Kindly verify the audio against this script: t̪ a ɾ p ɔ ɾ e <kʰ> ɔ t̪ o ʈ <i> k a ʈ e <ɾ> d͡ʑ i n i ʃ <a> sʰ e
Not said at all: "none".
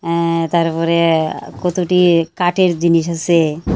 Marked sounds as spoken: k, i, ɾ, a

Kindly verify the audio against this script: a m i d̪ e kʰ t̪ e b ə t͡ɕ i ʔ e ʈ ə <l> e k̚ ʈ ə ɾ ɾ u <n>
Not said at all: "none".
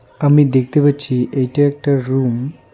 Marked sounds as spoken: ɾ, m

